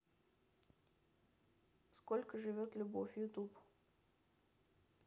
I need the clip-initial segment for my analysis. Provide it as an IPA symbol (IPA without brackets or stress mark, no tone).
s